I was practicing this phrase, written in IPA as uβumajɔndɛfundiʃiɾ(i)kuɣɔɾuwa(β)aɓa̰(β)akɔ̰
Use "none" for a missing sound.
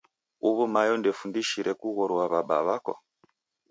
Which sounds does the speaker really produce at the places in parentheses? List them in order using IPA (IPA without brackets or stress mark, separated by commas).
ɛ, β, β